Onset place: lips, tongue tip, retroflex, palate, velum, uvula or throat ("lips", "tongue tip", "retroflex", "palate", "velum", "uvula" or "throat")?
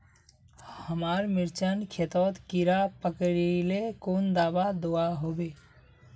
throat